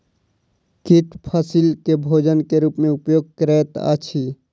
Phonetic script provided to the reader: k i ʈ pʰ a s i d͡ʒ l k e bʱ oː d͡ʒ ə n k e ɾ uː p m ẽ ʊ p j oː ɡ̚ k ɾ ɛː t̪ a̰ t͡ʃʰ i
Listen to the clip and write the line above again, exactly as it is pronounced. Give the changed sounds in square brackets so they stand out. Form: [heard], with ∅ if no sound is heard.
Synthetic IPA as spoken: k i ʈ pʰ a s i [∅] l k e bʱ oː d͡ʒ ə n k e ɾ uː p m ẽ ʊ p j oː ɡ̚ k ɾ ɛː t̪ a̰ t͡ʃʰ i